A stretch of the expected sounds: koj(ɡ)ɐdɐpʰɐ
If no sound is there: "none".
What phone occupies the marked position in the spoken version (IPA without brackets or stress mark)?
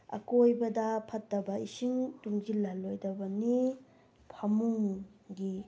b